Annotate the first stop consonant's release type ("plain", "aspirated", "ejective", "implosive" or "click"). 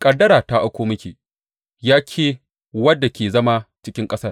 ejective